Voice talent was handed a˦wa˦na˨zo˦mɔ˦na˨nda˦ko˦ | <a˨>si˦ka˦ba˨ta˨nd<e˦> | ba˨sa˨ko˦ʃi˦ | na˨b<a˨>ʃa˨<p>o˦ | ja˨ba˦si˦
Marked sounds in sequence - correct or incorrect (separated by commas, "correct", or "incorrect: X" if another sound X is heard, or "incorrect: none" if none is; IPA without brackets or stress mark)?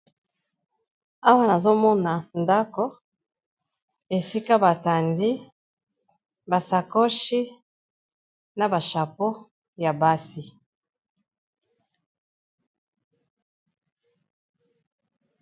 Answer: incorrect: e˨, incorrect: i˦, correct, correct